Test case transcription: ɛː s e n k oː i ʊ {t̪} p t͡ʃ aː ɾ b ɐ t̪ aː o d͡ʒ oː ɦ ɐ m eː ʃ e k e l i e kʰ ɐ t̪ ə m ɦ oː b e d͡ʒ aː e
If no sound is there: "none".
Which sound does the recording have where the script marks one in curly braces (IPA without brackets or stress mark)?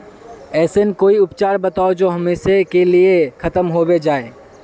none